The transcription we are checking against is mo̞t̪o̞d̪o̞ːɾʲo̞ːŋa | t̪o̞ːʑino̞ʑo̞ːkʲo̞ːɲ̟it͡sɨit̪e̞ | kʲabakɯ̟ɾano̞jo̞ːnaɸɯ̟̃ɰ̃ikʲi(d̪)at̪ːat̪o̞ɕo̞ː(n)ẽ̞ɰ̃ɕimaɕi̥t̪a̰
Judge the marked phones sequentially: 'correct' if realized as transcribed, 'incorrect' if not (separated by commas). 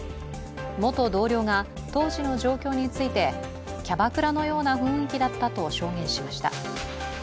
correct, incorrect